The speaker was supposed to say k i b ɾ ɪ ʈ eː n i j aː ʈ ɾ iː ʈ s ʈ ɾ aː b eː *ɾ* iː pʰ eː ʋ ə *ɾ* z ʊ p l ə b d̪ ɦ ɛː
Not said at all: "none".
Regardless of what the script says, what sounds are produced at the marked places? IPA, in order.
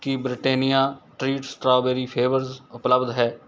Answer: ɾ, ɾ

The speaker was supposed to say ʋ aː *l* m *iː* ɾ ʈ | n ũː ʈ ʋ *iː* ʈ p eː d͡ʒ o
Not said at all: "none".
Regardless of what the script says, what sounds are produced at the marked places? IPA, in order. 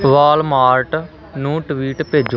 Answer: l, aː, iː

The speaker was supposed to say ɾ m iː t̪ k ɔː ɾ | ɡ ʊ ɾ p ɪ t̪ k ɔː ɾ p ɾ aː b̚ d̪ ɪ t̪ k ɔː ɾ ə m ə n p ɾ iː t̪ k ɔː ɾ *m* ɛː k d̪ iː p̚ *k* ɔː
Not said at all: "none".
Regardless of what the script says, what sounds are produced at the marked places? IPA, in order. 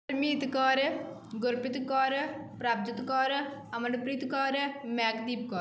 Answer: m, k

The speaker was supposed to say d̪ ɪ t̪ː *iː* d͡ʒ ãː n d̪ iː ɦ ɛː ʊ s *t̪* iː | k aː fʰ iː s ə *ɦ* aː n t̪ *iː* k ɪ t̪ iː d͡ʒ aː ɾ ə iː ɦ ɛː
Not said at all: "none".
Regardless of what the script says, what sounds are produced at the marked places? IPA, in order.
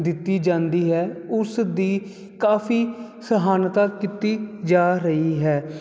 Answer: iː, d̪, ɦ, aː

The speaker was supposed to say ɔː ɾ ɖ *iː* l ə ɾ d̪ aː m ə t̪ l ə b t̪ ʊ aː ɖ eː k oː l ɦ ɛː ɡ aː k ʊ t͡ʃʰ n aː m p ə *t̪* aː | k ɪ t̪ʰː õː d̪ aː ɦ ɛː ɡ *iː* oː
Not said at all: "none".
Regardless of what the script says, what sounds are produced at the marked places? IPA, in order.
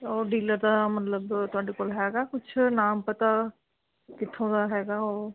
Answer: iː, t̪, aː

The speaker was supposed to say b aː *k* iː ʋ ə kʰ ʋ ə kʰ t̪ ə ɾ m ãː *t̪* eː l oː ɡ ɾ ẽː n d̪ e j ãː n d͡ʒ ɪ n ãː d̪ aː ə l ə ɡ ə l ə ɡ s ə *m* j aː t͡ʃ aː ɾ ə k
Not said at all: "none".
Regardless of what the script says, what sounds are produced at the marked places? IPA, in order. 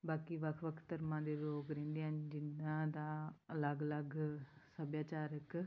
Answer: k, d̪, b

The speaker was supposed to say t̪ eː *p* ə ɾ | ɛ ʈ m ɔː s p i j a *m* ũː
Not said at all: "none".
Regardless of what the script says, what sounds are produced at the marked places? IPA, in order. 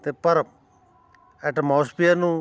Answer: p, n

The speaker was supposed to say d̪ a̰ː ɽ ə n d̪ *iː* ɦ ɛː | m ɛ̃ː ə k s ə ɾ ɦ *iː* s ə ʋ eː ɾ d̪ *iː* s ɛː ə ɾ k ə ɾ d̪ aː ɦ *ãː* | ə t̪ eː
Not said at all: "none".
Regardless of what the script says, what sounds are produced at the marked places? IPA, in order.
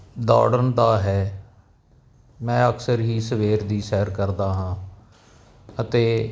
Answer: aː, iː, iː, ãː

